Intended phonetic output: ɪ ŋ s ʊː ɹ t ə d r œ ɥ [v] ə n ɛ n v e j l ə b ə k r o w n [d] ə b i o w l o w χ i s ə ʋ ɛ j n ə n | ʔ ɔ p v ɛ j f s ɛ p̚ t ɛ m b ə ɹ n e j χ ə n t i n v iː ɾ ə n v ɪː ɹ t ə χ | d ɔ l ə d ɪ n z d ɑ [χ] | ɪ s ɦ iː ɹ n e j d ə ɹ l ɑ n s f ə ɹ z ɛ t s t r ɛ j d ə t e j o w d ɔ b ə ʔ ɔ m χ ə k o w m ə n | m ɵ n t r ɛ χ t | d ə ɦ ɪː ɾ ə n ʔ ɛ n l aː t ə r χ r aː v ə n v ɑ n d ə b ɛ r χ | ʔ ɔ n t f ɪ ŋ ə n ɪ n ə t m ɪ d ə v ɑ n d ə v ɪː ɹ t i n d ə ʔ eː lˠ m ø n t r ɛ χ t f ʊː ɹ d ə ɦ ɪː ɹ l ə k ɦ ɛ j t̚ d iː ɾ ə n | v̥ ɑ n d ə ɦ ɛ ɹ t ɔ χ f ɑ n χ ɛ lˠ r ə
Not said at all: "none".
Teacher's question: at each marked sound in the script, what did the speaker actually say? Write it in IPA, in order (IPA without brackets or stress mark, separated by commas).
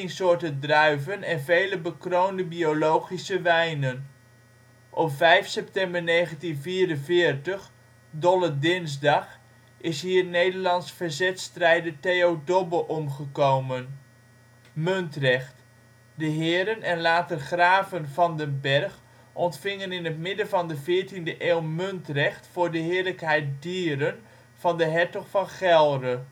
v, d, χ